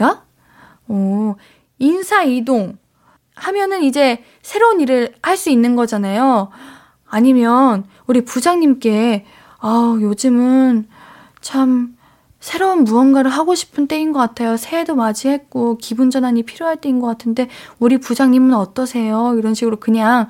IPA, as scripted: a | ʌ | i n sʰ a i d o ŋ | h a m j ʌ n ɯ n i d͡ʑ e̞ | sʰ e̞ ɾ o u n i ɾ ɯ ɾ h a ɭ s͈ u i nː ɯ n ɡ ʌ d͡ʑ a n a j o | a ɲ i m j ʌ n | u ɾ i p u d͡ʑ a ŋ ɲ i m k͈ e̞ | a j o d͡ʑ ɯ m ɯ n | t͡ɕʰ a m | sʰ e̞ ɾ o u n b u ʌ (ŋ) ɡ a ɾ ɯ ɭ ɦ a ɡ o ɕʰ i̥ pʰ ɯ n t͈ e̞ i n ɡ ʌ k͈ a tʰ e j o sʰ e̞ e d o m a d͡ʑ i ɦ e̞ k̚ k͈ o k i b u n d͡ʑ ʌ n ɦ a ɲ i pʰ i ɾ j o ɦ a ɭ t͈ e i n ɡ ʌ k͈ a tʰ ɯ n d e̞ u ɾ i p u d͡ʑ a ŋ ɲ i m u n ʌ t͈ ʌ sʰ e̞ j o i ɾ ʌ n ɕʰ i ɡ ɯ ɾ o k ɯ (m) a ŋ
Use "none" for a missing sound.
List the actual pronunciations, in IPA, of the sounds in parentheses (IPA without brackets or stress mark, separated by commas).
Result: n, ɲ